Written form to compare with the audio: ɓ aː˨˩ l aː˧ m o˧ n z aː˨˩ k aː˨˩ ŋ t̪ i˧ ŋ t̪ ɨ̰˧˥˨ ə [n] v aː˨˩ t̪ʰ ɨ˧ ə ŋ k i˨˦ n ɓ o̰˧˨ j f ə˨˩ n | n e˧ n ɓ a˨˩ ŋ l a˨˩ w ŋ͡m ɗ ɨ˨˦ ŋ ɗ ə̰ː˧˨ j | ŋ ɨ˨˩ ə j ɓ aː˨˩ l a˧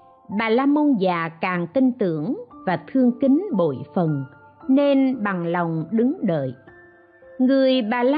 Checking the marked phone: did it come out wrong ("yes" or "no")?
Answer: yes